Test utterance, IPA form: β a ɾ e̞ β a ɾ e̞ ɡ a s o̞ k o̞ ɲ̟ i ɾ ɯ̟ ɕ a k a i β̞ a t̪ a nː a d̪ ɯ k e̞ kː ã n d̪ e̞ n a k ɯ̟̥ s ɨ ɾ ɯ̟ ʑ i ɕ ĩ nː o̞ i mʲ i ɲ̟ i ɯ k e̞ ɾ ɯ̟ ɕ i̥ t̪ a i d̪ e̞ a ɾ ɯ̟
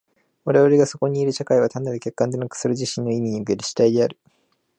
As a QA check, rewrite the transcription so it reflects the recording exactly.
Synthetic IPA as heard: β a ɾ e̞ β a ɾ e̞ ɡ a s o̞ k o̞ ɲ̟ iː ɾ ɯ̟ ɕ a k a i β̞ a t̪ a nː a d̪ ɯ k e̞ kː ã n d̪ e̞ n a k ɯ̟̥ s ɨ ɾ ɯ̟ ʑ i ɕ ĩ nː o̞ i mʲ i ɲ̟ i ɯ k e̞ ɾ ɯ̟ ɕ i̥ t̪ a i d̪ e̞ a ɾ ɯ̟

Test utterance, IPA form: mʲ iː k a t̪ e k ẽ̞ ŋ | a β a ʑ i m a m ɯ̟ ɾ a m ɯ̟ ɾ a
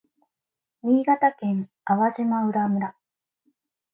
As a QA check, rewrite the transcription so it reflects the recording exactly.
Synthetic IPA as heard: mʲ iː ɡ a t̪ a k ẽ̞ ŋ | a β a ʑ i m a ɯ̟ ɾ a m ɯ̟ ɾ a

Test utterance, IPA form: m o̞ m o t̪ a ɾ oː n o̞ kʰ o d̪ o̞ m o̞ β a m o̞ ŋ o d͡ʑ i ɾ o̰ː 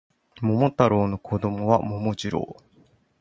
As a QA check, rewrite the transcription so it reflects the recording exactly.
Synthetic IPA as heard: m o̞ m o t̪ a ɾ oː n o̞ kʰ o d̪ o̞ m o̞ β a m o̞ m o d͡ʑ i ɾ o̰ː

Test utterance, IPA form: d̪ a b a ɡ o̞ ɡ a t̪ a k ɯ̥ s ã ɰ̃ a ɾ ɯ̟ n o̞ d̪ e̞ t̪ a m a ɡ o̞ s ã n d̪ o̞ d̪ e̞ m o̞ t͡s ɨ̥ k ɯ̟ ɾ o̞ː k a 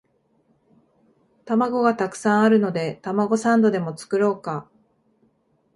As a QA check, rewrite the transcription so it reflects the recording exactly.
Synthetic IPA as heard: t̪ a m a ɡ o̞ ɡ a t̪ a k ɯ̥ s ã ɰ̃ a ɾ ɯ̟ n o̞ d̪ e̞ t̪ a m a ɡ o̞ s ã n d̪ o̞ d̪ e̞ m o̞ t͡s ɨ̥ k ɯ̟ ɾ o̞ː k a

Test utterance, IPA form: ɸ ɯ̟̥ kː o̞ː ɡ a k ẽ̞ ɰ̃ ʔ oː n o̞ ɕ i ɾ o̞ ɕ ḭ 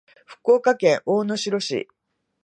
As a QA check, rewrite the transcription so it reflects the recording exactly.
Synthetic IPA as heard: ɸ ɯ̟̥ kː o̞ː k a k ẽ̞ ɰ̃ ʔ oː n o̞ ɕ i ɾ o̞ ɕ ḭ

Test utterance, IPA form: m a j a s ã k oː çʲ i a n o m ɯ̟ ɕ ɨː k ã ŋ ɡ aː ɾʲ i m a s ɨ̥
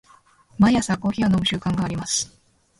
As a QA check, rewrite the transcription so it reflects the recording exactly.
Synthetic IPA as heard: m a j a s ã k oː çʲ i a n o m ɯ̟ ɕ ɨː k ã ŋ ɡ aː ɾʲ i m a s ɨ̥

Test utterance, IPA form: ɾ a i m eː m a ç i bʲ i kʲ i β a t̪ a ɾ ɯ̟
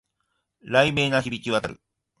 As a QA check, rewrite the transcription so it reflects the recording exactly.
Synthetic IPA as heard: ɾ a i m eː n a ç i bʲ i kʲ i β a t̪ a ɾ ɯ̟

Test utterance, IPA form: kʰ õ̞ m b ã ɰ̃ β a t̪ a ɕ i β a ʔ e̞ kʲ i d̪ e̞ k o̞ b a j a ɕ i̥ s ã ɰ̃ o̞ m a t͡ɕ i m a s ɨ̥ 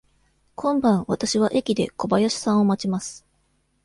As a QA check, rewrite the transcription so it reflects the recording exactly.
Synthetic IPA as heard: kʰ õ̞ m b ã ɰ̃ β a t̪ a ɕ i β a ʔ e̞ kʲ i d̪ e̞ k o̞ b a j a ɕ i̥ s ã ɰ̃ o̞ m a t͡ɕ i m a s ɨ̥

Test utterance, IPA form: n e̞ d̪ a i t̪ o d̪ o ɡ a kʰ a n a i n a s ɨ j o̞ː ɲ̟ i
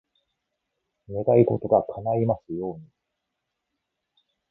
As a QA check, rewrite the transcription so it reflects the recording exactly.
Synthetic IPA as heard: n e̞ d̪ a i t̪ o t̪ o ɡ a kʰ a n a i m a s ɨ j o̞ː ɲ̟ i

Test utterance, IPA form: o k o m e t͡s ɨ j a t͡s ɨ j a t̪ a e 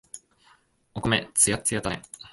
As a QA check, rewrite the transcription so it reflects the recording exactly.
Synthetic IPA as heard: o k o m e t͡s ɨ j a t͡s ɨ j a t̪ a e

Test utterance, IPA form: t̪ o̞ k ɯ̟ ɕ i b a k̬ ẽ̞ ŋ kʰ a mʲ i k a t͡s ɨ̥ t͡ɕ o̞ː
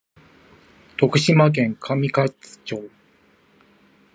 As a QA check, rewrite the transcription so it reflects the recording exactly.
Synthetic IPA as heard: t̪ o̞ k ɯ̟ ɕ i m a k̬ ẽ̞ ŋ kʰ a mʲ i k a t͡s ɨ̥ t͡ɕ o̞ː

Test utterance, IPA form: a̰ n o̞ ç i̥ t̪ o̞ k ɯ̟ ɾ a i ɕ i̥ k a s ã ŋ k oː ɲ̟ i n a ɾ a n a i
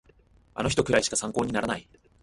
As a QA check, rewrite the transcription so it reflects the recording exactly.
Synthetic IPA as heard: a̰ n o̞ ç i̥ t̪ o̞ k ɯ̟ ɾ a i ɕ i̥ k a s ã ŋ k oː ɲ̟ i n a ɾ a n a i

